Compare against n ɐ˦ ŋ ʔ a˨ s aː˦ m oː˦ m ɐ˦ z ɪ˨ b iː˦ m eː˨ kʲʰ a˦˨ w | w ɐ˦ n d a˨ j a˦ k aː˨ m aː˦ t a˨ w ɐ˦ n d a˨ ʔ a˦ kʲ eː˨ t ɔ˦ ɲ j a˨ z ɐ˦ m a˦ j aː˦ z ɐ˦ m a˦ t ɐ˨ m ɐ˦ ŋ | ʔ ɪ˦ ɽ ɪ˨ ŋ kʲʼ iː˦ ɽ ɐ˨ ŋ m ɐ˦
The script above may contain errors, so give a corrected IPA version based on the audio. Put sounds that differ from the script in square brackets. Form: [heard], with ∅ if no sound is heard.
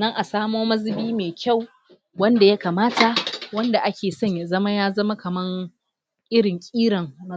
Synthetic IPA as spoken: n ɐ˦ ŋ ʔ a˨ s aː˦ m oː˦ m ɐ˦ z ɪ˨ b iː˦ m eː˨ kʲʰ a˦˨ w | w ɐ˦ n d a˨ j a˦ k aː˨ m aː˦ t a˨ w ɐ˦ n d a˨ ʔ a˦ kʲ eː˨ [s] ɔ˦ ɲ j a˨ z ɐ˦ m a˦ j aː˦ z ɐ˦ m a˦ [k] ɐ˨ m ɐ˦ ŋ | ʔ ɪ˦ ɽ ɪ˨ ŋ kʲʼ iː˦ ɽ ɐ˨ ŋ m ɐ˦